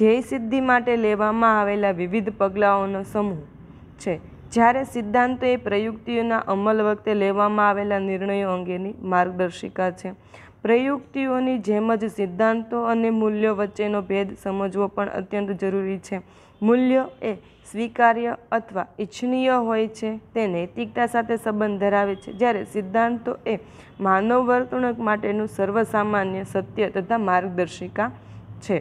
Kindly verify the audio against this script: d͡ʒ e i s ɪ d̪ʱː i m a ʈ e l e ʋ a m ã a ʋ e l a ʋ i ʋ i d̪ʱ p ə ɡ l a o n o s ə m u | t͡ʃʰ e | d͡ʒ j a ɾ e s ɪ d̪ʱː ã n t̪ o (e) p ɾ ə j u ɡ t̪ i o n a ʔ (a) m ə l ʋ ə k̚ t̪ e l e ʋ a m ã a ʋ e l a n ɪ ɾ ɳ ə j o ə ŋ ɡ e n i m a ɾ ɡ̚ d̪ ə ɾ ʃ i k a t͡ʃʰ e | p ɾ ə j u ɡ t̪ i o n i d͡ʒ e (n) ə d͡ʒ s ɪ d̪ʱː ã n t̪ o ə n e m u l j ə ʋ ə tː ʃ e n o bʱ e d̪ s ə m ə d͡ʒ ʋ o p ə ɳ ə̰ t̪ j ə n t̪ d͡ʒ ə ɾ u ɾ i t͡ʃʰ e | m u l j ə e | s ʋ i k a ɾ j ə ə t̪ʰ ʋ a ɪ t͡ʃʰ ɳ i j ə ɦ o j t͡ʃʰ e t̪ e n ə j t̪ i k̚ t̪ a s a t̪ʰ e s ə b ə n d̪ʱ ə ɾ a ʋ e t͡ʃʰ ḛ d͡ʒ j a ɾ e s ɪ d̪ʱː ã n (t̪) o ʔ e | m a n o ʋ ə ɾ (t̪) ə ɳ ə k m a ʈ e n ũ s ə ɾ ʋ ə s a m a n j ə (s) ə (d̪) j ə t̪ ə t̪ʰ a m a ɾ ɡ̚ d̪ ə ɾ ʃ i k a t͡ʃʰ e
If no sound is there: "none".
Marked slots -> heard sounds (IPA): e, ə, m, t̪, t̪, s, t̪

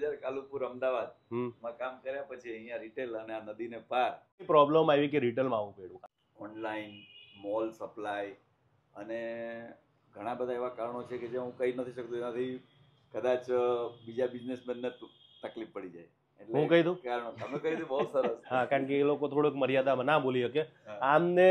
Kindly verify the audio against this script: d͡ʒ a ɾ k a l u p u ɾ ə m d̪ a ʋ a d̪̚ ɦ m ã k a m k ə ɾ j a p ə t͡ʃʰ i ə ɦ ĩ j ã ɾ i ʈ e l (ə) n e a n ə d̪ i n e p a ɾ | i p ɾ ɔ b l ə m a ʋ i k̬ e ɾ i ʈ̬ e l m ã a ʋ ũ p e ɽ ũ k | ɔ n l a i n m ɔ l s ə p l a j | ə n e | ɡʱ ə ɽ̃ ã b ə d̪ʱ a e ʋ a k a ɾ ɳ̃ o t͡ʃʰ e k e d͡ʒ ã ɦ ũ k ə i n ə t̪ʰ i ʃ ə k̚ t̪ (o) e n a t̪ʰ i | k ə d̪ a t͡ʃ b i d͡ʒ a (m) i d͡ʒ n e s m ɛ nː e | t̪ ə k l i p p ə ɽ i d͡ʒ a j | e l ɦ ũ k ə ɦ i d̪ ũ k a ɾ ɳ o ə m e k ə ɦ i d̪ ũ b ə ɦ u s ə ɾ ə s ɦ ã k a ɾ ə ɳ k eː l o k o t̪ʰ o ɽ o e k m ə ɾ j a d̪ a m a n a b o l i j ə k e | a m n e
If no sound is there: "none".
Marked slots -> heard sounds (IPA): ə, u, b

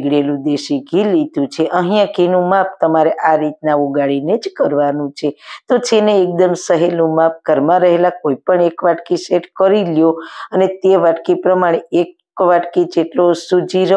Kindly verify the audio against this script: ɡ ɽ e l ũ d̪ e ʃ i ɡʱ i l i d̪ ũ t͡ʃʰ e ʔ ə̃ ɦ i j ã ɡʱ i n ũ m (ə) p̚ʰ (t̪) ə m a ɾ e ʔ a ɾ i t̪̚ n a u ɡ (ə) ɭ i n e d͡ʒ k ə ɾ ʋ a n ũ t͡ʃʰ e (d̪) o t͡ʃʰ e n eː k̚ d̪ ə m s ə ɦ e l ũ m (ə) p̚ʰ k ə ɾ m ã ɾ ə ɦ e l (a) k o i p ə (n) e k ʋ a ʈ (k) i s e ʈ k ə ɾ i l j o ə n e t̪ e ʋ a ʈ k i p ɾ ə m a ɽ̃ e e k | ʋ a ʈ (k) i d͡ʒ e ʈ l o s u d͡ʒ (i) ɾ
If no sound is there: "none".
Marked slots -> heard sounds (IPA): a, t̪, a, t̪, a, a, ɳ, k, k, i

